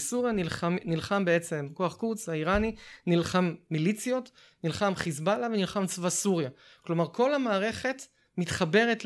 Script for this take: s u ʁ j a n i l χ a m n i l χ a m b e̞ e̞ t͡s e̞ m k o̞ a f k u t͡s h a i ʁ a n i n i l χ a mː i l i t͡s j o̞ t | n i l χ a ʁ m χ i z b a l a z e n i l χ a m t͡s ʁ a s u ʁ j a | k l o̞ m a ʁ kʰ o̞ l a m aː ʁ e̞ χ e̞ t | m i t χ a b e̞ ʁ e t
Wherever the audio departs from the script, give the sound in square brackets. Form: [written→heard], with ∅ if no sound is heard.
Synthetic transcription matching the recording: s u ʁ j a n i l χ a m n i l χ a m b e̞ e̞ t͡s e̞ m k o̞ a [f→χ] k u t͡s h a i ʁ a n i n i l χ a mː i l i t͡s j o̞ t | n i l χ a [ʁ→∅] m χ i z b a l a [z→v] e n i l χ a m t͡s [ʁ→v] a s u ʁ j a | k l o̞ m a ʁ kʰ o̞ l a m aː ʁ e̞ χ e̞ t | m i t χ a b e̞ ʁ e t